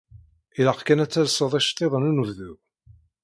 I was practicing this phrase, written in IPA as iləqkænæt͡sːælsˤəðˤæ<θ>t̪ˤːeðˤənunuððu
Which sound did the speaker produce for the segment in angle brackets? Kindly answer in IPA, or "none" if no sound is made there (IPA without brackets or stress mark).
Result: ʃ